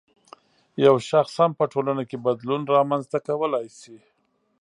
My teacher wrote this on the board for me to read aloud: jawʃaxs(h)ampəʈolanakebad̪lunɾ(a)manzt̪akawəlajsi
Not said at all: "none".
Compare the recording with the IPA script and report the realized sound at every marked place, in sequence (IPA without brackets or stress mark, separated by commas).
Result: h, ɑ